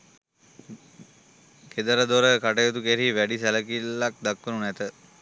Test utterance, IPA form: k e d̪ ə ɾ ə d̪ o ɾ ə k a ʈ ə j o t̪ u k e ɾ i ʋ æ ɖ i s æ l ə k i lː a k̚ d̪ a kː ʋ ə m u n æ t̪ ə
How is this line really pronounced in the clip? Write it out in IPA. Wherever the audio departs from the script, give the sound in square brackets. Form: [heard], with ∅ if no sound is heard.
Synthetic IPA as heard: k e d̪ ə ɾ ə d̪ o ɾ ə k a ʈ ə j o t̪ u k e ɾ i ʋ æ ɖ i s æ l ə k i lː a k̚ d̪ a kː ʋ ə [n] u n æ t̪ ə